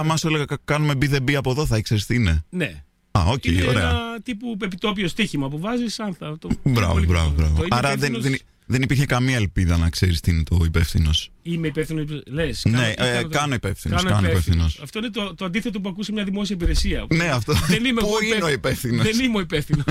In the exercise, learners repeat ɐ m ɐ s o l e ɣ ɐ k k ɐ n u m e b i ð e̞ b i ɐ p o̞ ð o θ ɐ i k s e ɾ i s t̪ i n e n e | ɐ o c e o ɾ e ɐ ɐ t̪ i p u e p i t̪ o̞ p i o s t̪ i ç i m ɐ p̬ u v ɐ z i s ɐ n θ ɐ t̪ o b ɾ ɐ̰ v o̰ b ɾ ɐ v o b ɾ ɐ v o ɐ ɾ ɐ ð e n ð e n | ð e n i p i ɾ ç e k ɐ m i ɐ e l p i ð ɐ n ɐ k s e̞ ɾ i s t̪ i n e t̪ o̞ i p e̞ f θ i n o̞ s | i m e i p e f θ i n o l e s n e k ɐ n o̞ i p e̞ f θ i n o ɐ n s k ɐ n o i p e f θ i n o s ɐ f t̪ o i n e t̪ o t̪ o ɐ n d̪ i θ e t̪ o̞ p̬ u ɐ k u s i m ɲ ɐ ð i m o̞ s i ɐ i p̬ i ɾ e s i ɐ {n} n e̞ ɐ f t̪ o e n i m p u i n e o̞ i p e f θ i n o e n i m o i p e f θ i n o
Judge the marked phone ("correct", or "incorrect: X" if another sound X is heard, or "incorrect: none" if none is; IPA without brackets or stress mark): correct